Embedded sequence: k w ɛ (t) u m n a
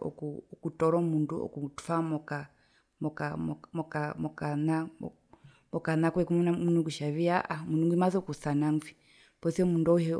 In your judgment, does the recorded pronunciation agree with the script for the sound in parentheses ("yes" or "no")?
no